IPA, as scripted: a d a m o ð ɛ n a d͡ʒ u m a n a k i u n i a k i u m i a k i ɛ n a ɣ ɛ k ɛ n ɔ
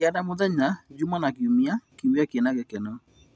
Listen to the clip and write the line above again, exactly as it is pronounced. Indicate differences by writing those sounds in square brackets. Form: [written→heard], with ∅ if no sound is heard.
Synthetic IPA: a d a m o ð ɛ [n→ɲ] a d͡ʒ u m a n a k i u [n→m] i a k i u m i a k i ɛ n a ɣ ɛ k ɛ n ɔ